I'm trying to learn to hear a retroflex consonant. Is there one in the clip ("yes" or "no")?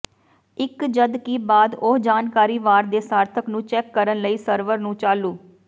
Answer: no